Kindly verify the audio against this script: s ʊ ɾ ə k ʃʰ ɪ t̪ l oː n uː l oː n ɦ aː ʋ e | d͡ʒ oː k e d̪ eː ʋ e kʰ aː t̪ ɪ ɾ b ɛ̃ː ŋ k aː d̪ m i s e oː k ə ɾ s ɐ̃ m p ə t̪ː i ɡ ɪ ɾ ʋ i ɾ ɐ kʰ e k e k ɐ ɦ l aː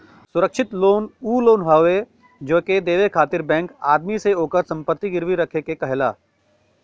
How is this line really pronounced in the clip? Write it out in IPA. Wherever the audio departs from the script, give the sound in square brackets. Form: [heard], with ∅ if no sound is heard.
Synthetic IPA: s ʊ ɾ ə k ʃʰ ɪ t̪ l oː n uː l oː n ɦ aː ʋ e | d͡ʒ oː k e d̪ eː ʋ e kʰ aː t̪ ɪ ɾ b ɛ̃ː ŋ k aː d̪ m i s e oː k ə ɾ s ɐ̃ m p ə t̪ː i ɡ ɪ ɾ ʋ i ɾ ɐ kʰ e k e k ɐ ɦ l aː